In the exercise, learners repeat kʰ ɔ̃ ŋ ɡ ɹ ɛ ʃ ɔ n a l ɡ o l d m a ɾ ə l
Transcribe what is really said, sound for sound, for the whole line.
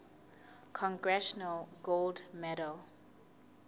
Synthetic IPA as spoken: kʰ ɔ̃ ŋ ɡ ɹ ɛ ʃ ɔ n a l ɡ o l d m ɛ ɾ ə l